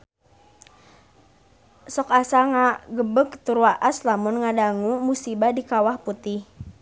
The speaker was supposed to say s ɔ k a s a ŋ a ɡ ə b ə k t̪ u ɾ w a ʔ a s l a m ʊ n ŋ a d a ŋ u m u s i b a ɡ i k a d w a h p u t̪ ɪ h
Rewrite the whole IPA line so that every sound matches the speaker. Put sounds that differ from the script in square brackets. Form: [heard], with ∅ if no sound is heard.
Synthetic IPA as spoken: s ɔ k a s a ŋ a ɡ ə b ə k t̪ u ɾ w a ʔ a s l a m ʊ n ŋ a d a ŋ u m u s i b a [d] i k a [∅] w a h p u t̪ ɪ h

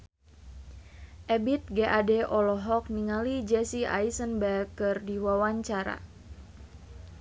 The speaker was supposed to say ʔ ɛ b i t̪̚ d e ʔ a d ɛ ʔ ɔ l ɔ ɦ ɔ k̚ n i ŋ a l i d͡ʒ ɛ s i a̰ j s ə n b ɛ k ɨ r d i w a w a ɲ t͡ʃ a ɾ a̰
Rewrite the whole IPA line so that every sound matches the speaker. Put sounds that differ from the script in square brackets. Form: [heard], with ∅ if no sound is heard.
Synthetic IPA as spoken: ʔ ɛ b i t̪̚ [ɡ] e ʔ a d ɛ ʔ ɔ l ɔ ɦ ɔ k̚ n i ŋ a l i d͡ʒ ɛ s i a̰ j s ə n b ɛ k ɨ r d i w a w a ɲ t͡ʃ a ɾ a̰

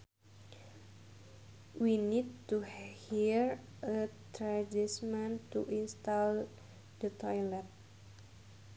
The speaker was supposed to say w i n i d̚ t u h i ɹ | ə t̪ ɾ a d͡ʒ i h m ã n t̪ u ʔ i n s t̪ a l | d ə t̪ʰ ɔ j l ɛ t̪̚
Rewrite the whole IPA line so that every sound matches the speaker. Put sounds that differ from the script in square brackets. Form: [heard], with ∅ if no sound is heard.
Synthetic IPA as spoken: w i n i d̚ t u h i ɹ | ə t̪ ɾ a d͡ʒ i [s] m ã n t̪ u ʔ i n s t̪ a l | d ə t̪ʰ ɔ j l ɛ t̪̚

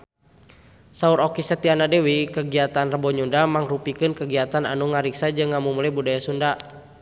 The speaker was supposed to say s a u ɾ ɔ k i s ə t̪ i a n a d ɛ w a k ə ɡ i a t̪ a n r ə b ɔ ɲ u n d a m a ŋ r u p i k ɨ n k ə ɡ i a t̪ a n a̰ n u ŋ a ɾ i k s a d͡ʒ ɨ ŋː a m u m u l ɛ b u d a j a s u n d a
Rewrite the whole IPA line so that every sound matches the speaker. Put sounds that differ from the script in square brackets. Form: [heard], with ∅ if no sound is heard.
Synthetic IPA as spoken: s a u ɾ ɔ k i s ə t̪ i a n a d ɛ w [i] k ə ɡ i a t̪ a n r ə b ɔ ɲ u n d a m a ŋ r u p i k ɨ n k ə ɡ i a t̪ a n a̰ n u ŋ a ɾ i k s a d͡ʒ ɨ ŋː a m u m u l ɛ b u d a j a s u n d a

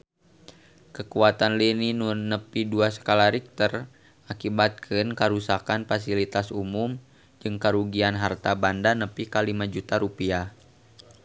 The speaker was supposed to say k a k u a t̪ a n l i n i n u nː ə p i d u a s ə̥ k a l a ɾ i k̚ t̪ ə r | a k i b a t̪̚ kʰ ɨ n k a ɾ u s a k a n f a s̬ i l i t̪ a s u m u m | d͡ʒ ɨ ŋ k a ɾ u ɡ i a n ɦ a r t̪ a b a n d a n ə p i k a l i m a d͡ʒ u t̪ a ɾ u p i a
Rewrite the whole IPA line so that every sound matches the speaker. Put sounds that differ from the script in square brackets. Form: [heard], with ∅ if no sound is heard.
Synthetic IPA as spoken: k [ə] k u a t̪ a n l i n i n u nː ə p i d u a s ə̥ k a l a ɾ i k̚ t̪ ə r | a k i b a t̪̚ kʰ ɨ n k a ɾ u s a k a n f a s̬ i l i t̪ a s u m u m | d͡ʒ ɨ ŋ k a ɾ u ɡ i a n ɦ a r t̪ a b a n d a n ə p i k a l i m a d͡ʒ u t̪ a ɾ u p i a

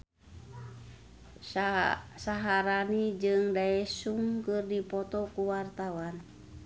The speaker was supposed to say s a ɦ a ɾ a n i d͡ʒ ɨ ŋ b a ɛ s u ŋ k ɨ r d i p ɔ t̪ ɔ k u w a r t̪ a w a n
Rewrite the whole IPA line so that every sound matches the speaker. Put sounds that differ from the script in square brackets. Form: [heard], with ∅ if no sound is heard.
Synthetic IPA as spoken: s a ɦ a ɾ a n i d͡ʒ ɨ ŋ [d] a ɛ s u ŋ k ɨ r d i p ɔ t̪ ɔ k u w a r t̪ a w a n

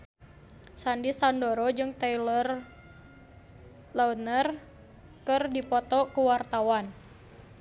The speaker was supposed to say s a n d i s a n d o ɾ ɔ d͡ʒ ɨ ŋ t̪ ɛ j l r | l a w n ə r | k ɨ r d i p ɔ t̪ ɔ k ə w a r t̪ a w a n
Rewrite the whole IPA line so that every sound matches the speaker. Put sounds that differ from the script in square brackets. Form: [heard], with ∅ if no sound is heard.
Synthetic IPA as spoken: s a n d i s a n d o ɾ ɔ d͡ʒ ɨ ŋ t̪ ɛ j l r | l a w n ə r | k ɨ r d i p ɔ t̪ ɔ k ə w a r t̪ a w a n

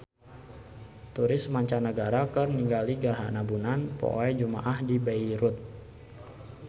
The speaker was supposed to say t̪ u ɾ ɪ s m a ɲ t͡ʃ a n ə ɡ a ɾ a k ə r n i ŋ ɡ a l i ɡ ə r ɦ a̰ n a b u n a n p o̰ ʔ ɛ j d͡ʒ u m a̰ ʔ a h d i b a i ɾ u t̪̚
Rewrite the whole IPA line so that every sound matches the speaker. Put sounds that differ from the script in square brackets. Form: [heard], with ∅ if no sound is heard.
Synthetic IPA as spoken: t̪ u ɾ ɪ s m a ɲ t͡ʃ a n ə ɡ a ɾ a k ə r n i ŋ ɡ a l i ɡ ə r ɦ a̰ n a b u n a n p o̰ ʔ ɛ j d͡ʒ u m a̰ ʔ a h d i b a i ɾ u t̪̚

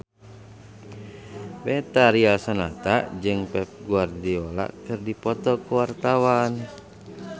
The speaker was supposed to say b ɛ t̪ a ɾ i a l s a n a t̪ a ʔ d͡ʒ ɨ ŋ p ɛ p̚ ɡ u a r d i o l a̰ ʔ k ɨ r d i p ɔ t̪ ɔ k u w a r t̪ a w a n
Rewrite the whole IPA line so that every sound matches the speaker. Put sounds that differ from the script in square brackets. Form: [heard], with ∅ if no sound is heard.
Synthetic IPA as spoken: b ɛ t̪ a ɾ i a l s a n a t̪ a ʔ d͡ʒ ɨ ŋ p ɛ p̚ ɡ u a r d i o l a̰ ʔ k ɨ r d i p ɔ t̪ ɔ k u w a r t̪ a w a n

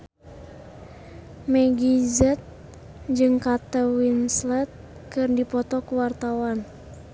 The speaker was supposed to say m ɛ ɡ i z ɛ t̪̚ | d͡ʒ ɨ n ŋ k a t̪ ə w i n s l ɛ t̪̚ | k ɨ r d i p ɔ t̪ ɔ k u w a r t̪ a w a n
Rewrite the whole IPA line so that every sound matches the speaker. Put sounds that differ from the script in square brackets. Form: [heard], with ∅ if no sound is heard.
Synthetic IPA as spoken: m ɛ ɡ i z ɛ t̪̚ | d͡ʒ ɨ [∅] ŋ k a t̪ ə w i n s l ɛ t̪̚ | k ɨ r d i p ɔ t̪ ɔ k u w a r t̪ a w a n

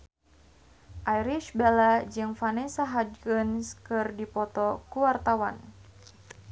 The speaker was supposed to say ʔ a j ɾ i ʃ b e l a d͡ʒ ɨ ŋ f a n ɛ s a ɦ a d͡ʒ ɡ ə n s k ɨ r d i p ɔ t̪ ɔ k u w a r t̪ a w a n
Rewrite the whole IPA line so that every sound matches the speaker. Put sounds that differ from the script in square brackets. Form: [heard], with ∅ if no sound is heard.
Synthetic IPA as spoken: ʔ a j ɾ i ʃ b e l a d͡ʒ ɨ ŋ f a n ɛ s a ɦ a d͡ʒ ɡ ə n s k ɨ r d i p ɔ t̪ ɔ k u w a r t̪ a w a n

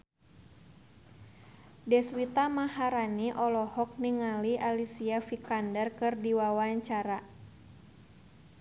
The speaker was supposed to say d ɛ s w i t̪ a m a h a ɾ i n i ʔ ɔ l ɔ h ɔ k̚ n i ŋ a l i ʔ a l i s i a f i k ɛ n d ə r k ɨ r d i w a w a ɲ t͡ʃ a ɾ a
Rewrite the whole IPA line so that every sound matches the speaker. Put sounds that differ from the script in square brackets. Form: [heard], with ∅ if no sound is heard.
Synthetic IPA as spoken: d ɛ s w i t̪ a m a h a ɾ [a] n i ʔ ɔ l ɔ h ɔ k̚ n i ŋ a l i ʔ a l i s i a f i k [a] n d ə r k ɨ r d i w a w a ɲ t͡ʃ a ɾ a

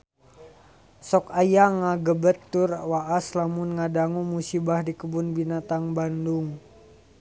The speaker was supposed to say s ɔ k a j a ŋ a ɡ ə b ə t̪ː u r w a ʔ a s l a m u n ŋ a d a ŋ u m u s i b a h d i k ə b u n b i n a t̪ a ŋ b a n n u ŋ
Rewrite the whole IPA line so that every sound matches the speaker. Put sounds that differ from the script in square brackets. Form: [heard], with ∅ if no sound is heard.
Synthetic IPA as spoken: s ɔ k a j a ŋ a ɡ ə b ə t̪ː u r w a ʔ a s l a m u n ŋ a d a ŋ u m u s i b a h d i k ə b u n b i n a t̪ a ŋ b a n [d] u ŋ

